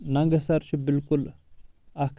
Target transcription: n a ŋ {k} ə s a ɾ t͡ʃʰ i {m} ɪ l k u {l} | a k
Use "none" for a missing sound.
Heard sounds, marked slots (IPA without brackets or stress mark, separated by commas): ɡ, b, l